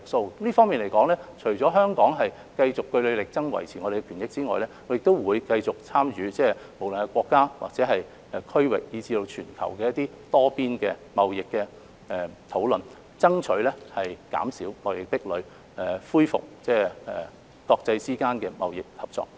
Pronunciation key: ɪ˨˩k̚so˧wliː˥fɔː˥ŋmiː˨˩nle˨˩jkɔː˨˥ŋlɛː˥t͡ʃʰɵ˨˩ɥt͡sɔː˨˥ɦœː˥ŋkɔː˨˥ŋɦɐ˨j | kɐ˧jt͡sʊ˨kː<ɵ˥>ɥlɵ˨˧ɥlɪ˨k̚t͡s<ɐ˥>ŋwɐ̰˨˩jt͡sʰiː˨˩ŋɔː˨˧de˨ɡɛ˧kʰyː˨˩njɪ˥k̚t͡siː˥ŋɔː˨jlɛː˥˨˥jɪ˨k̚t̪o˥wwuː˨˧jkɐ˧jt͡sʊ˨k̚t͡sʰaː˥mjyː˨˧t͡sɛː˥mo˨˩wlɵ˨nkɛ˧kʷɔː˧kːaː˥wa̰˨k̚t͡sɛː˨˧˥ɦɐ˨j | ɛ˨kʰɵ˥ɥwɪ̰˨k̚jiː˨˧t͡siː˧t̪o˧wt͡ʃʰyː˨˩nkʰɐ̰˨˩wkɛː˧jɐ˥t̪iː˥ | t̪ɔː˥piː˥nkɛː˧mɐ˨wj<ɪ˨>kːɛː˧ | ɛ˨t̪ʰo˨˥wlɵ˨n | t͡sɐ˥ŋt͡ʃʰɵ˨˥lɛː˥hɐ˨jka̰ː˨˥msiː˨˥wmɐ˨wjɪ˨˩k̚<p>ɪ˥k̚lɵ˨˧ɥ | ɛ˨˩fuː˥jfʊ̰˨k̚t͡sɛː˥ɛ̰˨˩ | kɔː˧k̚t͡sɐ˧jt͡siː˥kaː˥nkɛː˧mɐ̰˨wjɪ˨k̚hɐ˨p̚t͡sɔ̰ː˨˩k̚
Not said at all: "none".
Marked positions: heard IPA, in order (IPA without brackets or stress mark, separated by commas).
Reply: ɵ˧, ɐ˥, ɪ˨, p